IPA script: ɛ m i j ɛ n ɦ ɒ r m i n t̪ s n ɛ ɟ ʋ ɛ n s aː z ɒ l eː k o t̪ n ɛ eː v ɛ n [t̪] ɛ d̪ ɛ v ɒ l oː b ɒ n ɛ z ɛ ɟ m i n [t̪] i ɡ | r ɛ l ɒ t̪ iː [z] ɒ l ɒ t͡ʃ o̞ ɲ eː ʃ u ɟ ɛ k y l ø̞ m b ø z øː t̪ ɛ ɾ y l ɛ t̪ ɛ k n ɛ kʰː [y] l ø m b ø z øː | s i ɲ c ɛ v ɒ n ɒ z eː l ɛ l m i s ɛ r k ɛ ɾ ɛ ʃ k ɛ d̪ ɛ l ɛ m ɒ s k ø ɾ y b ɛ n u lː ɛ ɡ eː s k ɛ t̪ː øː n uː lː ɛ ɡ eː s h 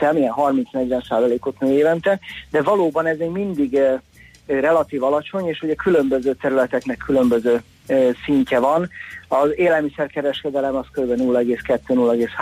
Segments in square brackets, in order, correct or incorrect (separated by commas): correct, incorrect, incorrect, correct